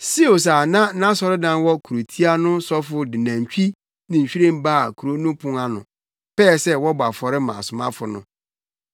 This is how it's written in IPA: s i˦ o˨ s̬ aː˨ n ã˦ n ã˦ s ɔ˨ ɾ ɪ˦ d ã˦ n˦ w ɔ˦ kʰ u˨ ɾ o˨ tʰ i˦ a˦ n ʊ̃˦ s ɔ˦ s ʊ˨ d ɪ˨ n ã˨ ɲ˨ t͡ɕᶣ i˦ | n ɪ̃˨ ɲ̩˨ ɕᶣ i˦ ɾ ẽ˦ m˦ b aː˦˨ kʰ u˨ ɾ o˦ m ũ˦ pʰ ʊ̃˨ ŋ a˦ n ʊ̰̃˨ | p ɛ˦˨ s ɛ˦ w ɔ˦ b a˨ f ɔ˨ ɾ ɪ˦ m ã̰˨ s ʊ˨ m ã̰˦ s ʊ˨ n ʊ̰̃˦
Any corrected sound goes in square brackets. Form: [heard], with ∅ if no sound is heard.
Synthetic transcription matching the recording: s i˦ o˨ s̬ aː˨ n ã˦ n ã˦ s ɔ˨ ɾ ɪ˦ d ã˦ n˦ w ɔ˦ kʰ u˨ ɾ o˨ tʰ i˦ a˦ n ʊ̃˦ s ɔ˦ [f] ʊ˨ d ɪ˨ n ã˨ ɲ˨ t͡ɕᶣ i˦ | n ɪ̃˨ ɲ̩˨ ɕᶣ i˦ ɾ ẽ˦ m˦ b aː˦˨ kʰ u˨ ɾ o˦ [n] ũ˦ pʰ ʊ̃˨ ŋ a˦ n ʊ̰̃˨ | p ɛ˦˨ s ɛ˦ w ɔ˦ b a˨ f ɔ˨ ɾ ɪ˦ m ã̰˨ s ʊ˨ m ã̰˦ [f] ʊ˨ n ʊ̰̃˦